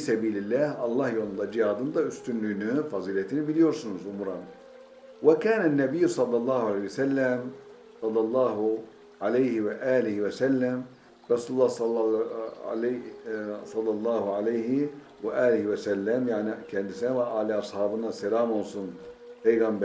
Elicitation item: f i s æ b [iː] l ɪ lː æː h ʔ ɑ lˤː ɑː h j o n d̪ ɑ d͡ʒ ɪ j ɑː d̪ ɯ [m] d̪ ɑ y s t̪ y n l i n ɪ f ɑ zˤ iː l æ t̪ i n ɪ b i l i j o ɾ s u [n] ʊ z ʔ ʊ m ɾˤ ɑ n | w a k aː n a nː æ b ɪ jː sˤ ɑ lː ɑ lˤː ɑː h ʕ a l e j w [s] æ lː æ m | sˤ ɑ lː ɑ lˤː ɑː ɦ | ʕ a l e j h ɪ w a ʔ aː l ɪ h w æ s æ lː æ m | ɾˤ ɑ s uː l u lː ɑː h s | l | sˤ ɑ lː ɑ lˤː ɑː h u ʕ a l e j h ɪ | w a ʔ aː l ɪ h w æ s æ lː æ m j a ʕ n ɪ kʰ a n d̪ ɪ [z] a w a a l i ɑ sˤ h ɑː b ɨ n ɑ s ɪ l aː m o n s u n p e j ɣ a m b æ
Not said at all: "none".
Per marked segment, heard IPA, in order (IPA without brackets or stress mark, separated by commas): iː, n, n, s, s